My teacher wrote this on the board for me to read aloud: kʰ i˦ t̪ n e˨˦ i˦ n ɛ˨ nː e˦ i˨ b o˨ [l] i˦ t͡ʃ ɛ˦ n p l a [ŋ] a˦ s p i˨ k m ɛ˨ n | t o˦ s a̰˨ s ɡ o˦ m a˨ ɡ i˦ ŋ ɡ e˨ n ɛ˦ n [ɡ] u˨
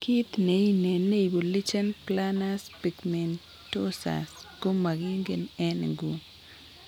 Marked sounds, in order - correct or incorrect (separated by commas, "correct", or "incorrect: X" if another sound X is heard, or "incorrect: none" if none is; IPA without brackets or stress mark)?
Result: correct, incorrect: n, correct